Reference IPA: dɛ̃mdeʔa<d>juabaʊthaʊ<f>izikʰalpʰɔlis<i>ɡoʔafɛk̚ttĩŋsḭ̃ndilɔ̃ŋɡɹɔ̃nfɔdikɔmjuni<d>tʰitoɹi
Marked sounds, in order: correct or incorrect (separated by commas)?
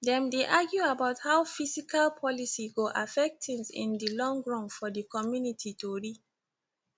incorrect, correct, correct, incorrect